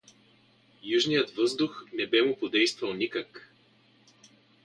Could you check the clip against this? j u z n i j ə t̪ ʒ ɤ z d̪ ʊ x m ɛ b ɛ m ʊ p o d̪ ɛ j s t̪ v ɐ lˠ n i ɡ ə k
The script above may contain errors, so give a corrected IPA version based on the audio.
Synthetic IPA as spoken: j u ʒ n i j ə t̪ v ɤ z d̪ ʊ x n ɛ b ɛ m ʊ p o d̪ ɛ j s t̪ v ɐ lˠ n i k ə k